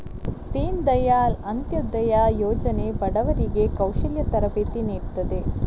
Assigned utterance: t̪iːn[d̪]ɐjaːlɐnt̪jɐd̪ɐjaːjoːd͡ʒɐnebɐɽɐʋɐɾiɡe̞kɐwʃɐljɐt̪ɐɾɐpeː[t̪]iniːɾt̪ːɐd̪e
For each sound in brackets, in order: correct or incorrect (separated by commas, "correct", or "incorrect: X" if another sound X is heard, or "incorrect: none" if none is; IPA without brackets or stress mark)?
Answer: correct, correct